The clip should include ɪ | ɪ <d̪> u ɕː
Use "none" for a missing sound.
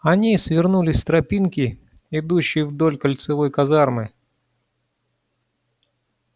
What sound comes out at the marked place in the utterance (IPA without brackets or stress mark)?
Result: d̪